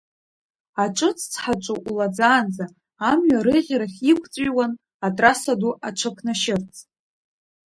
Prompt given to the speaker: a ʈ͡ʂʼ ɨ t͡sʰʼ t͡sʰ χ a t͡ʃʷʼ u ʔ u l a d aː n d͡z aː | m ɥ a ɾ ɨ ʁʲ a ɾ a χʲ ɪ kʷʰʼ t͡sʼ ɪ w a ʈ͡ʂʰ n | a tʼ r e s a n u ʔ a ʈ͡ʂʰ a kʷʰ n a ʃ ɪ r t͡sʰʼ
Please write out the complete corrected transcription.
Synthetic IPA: a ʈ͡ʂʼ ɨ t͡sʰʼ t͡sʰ ħ a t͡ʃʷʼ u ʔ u l a d͡z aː n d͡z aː | m ɥ a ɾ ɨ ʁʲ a ɾ a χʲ i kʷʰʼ t͡sʼ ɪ w a n | a tʼ r a s a d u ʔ a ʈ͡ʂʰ a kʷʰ n a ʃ ɪ r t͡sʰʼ